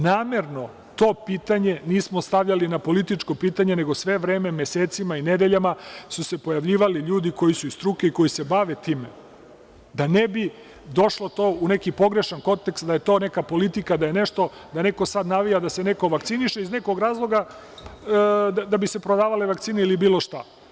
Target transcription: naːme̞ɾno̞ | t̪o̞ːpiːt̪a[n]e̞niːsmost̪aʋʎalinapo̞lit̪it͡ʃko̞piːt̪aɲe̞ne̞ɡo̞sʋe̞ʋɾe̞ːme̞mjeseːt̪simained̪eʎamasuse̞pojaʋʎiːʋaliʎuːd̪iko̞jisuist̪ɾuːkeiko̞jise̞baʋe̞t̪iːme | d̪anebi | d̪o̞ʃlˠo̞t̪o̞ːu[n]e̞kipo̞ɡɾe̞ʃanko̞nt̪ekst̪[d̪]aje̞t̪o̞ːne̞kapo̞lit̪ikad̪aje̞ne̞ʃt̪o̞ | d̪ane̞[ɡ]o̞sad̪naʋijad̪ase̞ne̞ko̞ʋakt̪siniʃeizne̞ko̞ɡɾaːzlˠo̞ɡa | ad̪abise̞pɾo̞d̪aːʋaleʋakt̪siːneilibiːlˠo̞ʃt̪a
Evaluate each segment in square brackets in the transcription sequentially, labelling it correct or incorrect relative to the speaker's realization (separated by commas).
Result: incorrect, correct, correct, incorrect